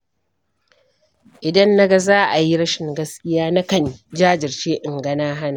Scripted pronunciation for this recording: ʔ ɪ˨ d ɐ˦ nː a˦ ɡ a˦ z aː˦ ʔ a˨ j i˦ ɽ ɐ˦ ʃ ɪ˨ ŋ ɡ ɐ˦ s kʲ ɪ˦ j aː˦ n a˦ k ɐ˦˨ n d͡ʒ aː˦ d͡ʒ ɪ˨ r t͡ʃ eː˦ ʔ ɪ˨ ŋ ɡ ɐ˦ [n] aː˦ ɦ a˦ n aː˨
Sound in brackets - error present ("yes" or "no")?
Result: no